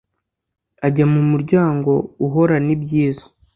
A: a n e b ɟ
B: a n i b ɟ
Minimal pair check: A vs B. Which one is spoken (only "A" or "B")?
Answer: B